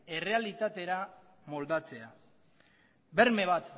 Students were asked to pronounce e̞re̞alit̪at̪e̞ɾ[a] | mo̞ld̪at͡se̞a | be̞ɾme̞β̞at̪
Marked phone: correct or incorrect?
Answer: correct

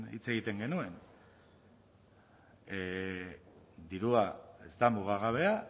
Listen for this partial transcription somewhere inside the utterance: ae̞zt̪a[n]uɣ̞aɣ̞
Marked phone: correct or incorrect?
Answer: incorrect: m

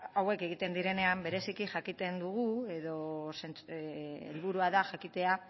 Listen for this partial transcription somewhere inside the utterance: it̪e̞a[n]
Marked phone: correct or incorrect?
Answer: incorrect: none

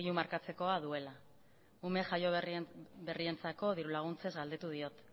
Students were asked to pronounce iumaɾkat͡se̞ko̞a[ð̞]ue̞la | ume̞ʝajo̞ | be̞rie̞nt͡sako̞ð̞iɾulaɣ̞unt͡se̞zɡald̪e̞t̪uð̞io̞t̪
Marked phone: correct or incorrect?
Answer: correct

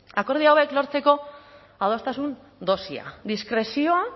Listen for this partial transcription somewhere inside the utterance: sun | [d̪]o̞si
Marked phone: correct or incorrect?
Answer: correct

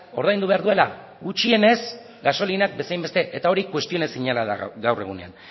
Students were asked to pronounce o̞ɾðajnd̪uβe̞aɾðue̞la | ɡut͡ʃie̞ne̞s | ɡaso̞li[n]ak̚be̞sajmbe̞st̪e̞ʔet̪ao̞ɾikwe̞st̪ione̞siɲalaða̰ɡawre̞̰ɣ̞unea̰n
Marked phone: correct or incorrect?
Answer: correct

